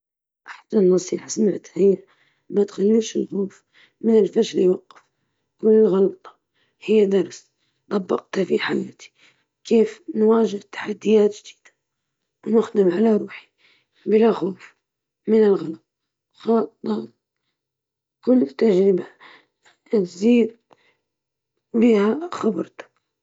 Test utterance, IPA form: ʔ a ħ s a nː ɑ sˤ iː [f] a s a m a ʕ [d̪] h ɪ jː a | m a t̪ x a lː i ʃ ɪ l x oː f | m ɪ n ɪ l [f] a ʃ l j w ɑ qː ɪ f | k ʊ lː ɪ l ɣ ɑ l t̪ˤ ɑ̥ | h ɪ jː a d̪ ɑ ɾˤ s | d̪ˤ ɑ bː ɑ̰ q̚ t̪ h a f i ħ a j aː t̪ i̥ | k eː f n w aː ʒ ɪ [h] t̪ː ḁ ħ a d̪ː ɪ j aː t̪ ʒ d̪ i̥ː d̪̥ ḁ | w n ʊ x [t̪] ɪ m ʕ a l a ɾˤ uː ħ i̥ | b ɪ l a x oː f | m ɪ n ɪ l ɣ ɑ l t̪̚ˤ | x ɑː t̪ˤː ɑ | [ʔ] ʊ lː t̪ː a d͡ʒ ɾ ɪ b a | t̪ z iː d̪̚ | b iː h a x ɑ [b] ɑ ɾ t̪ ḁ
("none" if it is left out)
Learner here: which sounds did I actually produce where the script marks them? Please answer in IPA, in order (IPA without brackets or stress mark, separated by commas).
ħ, t̪, f, h, d̪, k, b